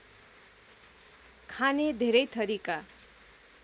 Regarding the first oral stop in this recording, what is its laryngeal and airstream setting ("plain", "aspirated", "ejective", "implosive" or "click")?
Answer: aspirated